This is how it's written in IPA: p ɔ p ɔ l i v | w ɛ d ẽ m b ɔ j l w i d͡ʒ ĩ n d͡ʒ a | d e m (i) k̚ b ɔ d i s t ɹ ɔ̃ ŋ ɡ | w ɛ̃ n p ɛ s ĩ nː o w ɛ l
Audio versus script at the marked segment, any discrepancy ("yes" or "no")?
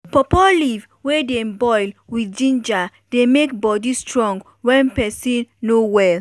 yes